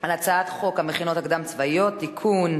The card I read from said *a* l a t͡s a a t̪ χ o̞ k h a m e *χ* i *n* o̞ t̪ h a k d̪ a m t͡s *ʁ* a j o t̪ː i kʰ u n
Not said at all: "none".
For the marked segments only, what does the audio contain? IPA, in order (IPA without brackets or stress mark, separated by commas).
a, χ, n, v